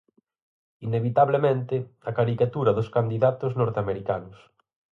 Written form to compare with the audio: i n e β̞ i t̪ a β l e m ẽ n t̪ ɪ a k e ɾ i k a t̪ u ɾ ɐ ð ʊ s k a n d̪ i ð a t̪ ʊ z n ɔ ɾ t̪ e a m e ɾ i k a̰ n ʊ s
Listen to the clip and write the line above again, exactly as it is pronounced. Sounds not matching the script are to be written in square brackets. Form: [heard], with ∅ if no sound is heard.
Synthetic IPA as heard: i n e β̞ i t̪ a β l e m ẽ n t̪ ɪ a k [a] ɾ i k a t̪ u ɾ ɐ ð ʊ s k a n d̪ i ð a t̪ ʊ z n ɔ ɾ t̪ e a m e ɾ i k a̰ n ʊ s